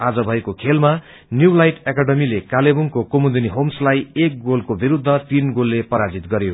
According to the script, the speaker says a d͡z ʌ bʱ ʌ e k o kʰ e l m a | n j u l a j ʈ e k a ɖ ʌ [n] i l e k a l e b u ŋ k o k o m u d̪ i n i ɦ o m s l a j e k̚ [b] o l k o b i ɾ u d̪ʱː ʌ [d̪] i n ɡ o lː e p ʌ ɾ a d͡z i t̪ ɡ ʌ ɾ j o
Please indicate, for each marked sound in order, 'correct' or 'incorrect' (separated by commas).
incorrect, incorrect, incorrect